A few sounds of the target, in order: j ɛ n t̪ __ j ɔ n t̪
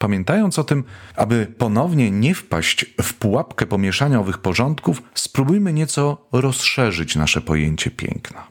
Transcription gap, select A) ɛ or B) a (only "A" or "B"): B